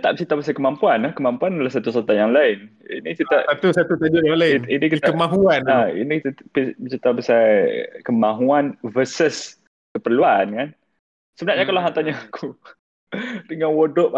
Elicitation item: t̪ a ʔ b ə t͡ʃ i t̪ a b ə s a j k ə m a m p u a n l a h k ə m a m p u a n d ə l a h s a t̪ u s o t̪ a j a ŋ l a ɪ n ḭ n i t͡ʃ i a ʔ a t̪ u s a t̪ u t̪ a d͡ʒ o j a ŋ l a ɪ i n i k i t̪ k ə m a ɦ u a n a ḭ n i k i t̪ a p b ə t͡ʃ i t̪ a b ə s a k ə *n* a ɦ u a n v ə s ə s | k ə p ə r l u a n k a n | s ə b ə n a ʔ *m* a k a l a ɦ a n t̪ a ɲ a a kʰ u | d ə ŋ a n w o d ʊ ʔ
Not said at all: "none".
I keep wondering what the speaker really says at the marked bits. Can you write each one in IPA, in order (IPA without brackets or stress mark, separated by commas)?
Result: m, ɲ